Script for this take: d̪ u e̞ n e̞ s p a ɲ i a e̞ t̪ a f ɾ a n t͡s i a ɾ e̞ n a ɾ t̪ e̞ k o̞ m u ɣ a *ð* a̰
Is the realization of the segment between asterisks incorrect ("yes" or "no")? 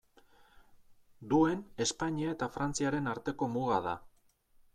no